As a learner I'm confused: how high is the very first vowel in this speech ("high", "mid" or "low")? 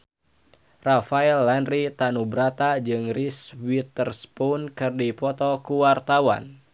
low